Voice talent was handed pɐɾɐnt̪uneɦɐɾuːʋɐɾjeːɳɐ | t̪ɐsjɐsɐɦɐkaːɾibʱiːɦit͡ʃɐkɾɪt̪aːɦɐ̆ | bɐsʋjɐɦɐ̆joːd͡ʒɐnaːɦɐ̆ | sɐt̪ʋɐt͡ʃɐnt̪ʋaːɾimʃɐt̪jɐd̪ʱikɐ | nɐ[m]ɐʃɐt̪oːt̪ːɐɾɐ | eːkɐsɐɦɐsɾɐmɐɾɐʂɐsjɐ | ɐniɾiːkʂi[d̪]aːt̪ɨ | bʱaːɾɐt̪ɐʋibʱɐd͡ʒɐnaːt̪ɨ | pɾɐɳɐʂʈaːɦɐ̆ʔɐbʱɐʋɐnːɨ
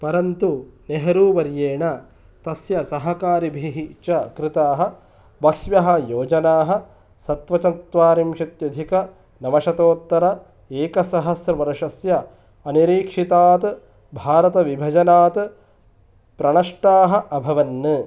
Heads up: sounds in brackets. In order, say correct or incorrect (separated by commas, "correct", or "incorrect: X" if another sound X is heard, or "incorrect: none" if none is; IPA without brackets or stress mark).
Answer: correct, incorrect: t̪